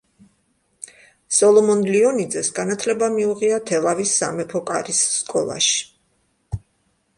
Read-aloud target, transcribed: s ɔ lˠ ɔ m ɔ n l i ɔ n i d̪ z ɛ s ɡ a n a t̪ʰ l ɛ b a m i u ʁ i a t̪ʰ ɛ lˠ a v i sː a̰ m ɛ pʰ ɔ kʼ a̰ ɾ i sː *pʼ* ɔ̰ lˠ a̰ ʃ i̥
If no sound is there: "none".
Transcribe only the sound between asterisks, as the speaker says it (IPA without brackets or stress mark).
kʼ